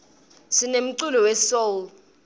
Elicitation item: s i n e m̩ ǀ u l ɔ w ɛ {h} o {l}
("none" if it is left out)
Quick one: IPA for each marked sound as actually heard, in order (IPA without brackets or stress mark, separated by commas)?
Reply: s, l